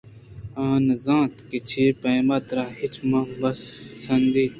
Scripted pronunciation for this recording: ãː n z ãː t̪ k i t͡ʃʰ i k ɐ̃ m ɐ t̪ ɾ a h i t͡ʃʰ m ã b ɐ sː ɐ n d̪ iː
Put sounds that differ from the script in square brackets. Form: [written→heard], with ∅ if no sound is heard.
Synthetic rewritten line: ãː n z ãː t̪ k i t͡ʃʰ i [k→p] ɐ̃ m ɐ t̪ ɾ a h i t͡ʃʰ m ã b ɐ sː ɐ n d̪ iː